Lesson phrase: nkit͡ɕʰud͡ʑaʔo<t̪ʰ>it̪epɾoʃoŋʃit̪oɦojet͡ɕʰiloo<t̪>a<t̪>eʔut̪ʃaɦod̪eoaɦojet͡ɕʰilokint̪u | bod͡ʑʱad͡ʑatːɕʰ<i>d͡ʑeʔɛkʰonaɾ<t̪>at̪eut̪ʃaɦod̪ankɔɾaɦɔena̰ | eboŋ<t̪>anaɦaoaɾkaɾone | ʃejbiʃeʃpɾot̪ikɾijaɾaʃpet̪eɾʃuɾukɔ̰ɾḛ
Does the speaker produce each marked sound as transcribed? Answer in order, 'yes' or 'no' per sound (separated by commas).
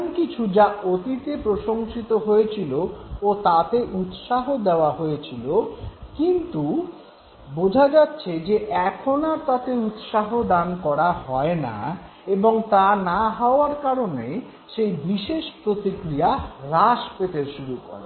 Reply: no, yes, yes, no, yes, yes